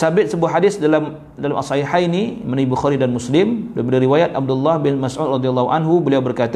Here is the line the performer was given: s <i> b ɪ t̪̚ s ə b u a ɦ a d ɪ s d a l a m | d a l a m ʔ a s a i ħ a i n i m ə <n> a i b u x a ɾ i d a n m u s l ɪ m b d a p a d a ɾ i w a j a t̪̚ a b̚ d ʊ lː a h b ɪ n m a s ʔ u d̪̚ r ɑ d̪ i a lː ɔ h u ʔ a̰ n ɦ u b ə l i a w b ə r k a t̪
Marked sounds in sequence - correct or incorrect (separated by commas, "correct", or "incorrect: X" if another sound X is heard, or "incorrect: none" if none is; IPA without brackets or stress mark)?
incorrect: a, correct